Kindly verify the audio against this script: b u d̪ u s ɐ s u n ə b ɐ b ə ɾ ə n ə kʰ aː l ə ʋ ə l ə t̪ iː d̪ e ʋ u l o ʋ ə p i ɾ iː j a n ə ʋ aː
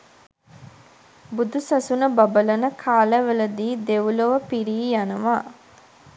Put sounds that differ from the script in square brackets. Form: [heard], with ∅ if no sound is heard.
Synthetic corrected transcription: b u d̪ u s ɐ s u n ə b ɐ b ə [l] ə n ə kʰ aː l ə ʋ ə l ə [d̪] iː d̪ e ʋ u l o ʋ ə p i ɾ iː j a n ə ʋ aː